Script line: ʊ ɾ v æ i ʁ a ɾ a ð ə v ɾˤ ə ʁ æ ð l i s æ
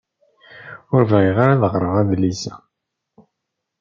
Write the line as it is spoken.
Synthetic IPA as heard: ʊ ɾ v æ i ʁ a ɾ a ð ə ʁ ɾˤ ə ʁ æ ð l i s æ